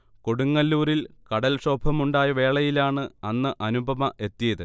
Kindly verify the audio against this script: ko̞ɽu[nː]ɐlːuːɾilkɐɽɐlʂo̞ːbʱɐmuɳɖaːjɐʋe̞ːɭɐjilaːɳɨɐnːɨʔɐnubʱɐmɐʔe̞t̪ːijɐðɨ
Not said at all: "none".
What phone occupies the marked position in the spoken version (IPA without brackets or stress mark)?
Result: ŋː